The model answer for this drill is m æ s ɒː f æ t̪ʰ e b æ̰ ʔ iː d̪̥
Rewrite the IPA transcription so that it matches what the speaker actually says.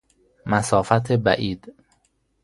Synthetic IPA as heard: m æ s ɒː f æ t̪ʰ e b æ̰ ʔ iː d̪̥